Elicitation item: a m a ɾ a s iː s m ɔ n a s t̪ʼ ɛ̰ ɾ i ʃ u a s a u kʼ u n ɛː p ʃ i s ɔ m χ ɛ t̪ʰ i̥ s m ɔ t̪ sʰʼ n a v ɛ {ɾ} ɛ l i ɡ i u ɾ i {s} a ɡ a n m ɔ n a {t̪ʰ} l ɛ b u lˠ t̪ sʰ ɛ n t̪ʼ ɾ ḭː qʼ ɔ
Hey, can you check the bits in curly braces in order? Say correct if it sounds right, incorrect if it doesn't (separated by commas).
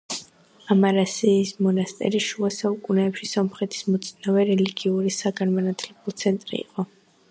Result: correct, correct, correct